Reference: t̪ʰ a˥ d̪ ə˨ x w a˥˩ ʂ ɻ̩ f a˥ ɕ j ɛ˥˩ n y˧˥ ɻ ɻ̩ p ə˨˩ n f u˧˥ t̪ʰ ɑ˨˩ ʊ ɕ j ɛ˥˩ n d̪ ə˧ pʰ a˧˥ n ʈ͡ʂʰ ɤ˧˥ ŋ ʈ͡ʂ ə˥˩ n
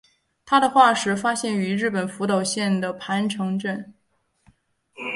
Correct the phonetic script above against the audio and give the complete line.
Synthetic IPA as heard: t̪ʰ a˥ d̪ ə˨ x w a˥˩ ʂ ɻ̩ f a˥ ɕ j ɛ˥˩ n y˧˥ ɻ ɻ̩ p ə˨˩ n f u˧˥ t̪ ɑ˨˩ ʊ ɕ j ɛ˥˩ n d̪ ə˩ pʰ a˧˥ n ʈ͡ʂʰ ɤ˧˥ ŋ ʈ͡ʂ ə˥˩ n